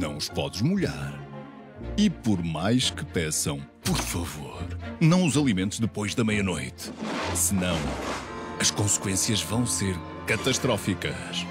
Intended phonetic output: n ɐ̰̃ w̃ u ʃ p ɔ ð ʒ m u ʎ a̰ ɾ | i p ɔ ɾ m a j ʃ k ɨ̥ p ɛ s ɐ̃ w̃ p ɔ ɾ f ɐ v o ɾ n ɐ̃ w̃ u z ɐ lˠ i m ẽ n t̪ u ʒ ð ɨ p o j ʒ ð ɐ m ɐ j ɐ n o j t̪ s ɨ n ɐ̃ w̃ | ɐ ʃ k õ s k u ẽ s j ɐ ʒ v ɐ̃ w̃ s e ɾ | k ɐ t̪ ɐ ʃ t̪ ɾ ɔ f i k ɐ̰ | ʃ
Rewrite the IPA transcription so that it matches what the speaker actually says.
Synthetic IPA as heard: n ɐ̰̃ w̃ u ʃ p ɔ ð ʒ m u ʎ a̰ ɾ | i p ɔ ɾ m a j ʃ k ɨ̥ p ɛ s ɐ̃ w̃ p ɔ ɾ f ɐ v o ɾ n ɐ̃ w̃ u z ɐ lˠ i m ẽ n t̪ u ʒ ð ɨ p o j ʒ ð ɐ m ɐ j ɐ n o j t̪ s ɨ n ɐ̃ w̃ | ɐ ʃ k õ s k w ẽ s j ɐ ʒ v ɐ̃ w̃ s e ɾ | k ɐ t̪ ɐ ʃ t̪ ɾ ɔ f i k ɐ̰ | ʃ